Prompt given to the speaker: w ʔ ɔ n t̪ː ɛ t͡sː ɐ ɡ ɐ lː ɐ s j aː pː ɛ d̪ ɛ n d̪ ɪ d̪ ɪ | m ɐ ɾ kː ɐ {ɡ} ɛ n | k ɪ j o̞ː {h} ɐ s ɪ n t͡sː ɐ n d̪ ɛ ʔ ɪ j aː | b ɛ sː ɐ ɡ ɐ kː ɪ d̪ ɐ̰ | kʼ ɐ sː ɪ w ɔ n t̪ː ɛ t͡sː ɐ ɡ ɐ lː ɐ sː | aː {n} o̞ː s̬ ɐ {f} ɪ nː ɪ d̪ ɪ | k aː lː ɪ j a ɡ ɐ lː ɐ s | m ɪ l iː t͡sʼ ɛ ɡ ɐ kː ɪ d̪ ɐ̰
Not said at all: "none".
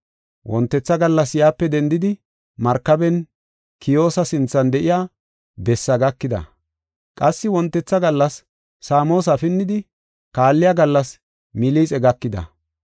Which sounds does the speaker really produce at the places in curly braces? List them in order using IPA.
b, s, m, f

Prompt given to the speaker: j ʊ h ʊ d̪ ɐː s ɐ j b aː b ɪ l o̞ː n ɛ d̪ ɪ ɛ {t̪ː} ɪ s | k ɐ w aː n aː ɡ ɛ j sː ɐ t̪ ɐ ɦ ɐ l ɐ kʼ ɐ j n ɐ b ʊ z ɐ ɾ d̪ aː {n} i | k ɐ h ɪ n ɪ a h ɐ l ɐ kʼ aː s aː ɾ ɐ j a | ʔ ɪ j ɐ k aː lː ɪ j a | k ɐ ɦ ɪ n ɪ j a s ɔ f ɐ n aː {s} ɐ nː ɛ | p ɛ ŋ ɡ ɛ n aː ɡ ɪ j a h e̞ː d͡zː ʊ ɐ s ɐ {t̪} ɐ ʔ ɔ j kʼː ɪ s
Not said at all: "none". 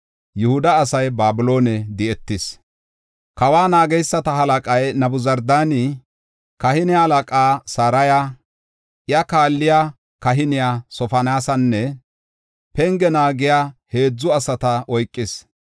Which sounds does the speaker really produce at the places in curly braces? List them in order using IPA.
t̪ː, n, s, t̪

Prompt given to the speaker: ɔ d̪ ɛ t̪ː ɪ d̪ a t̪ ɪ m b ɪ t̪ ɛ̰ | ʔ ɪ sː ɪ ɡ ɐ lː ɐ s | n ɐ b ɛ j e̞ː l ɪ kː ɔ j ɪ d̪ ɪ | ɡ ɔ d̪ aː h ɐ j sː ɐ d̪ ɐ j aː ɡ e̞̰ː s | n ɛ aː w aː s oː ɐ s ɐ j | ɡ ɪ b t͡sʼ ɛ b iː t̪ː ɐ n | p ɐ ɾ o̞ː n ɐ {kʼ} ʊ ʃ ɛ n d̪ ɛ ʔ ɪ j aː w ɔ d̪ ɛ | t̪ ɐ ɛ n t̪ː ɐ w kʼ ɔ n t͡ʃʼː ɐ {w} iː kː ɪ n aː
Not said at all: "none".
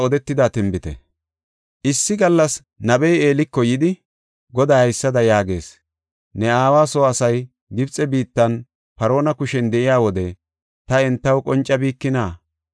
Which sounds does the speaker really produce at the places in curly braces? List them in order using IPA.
k, b

